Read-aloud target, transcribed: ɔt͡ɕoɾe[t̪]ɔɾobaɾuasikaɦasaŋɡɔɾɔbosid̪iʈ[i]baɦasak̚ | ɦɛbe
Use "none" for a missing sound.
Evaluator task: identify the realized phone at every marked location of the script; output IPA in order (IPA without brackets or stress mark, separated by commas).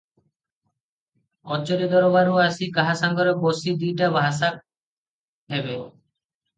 d̪, a